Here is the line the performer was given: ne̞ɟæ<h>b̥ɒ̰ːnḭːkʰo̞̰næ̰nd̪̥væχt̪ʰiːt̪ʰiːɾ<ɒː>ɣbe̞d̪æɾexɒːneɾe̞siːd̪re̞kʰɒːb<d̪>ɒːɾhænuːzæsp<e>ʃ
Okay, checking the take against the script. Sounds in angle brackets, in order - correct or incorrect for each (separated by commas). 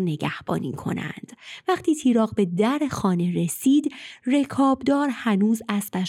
correct, correct, correct, incorrect